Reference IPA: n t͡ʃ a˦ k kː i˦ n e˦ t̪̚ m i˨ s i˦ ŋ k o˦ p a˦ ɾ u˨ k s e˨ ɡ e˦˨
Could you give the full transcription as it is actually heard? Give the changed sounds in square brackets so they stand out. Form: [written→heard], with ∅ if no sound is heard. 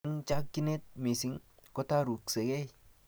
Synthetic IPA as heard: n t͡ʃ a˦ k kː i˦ n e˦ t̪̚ m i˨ s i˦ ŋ k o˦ [p→t] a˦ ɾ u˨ k s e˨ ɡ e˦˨